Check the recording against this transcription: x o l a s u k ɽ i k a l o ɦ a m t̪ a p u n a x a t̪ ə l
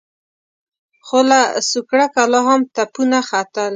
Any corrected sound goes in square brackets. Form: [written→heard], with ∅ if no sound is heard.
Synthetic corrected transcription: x o l a s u k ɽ [i→a] k a l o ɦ a m t̪ a p u n a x a t̪ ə l